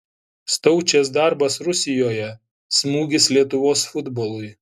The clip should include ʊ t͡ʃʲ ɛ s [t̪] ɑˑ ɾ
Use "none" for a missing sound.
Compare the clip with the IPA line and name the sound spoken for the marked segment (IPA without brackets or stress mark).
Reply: d̪